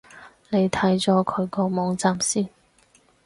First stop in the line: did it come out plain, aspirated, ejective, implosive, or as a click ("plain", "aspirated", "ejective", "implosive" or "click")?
aspirated